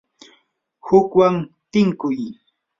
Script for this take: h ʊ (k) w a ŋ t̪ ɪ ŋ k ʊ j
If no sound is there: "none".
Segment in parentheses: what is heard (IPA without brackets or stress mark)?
k